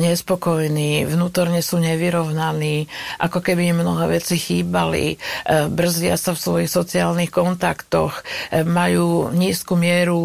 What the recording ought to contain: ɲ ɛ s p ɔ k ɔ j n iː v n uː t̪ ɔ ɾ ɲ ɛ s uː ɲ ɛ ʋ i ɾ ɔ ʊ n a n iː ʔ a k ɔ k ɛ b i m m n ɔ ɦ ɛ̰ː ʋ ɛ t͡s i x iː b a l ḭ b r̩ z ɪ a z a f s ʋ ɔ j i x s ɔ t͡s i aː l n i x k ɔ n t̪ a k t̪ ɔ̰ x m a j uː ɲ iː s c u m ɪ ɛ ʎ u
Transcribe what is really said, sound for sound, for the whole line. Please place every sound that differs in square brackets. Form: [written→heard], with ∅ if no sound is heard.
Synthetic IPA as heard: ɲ ɛ s p ɔ k ɔ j n iː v n uː t̪ ɔ ɾ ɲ ɛ s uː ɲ ɛ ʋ i ɾ ɔ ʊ n a n iː ʔ a k ɔ k ɛ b i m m n ɔ ɦ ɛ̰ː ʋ ɛ t͡s i x iː b a l ḭ b r̩ z ɪ a [z→s] a f s ʋ ɔ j i x s ɔ t͡s i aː l n i x k ɔ n t̪ a k t̪ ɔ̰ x m a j uː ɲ iː s [c→k] u m ɪ ɛ [ʎ→ɾ] u